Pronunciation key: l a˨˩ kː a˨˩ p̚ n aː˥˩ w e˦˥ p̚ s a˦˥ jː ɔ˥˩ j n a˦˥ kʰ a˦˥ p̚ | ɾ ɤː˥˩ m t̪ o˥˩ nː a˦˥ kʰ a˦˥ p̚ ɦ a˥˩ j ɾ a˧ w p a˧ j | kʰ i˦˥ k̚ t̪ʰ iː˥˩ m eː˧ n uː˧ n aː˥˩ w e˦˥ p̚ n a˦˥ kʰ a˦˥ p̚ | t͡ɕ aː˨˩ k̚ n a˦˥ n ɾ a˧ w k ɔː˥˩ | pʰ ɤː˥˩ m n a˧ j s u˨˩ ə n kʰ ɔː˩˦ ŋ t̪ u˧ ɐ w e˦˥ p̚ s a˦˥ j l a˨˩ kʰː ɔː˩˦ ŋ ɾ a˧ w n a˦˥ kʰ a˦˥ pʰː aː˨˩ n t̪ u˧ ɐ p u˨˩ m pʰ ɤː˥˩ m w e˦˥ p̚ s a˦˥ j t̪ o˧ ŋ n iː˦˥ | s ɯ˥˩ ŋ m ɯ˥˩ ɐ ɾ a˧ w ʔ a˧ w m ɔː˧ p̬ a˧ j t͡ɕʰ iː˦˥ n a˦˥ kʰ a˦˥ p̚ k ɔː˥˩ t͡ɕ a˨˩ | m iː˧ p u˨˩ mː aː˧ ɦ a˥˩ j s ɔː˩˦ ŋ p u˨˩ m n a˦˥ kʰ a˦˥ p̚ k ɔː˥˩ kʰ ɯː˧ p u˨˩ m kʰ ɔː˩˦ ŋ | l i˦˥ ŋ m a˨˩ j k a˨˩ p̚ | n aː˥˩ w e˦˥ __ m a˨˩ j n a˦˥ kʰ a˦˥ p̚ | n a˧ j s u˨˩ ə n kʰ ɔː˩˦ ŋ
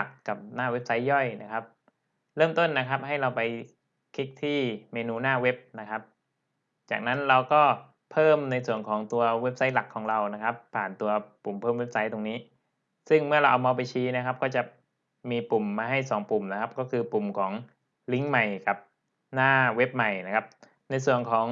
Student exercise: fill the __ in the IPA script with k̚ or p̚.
p̚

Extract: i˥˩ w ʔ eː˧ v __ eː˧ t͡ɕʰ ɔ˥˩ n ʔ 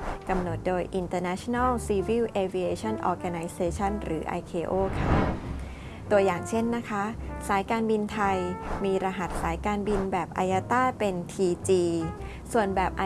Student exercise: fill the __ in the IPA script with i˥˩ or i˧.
i˧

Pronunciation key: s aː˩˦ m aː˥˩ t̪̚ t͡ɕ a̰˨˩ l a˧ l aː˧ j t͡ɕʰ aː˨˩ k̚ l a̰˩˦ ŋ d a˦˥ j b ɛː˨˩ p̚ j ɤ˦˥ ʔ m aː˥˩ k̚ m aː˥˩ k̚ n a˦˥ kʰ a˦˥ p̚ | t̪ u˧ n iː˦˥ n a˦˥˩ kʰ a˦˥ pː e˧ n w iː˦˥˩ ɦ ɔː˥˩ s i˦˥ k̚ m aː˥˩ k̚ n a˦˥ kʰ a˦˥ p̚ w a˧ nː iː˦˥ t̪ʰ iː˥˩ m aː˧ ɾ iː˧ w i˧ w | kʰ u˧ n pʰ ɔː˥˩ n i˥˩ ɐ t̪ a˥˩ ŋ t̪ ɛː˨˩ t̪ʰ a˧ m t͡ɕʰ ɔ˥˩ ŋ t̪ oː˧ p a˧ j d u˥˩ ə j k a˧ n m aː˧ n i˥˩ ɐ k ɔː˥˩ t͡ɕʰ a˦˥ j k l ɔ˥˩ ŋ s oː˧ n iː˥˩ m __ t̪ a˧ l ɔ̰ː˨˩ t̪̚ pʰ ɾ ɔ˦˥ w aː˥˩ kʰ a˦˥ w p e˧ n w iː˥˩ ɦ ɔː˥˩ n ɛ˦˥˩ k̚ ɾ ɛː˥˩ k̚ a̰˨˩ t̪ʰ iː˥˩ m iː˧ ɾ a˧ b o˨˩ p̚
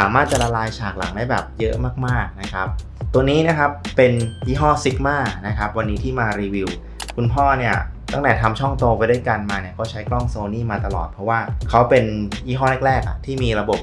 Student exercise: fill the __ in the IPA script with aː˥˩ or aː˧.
aː˧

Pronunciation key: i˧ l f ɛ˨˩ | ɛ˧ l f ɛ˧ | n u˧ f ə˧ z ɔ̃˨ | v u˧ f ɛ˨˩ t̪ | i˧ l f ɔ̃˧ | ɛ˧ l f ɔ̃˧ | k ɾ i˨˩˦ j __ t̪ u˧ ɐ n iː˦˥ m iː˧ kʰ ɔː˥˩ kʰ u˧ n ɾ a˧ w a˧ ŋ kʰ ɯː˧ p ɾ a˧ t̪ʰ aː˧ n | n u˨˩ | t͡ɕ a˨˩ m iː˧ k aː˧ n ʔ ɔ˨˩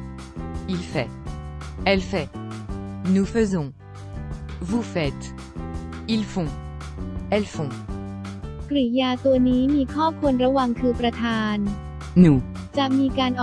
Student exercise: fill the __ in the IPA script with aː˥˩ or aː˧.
aː˧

